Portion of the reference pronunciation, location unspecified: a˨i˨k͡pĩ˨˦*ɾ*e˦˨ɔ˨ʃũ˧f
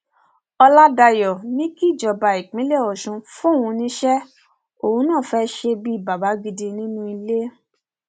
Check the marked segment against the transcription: incorrect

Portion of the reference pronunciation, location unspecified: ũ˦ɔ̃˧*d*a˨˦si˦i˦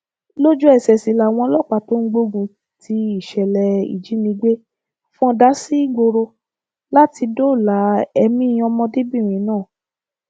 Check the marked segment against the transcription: correct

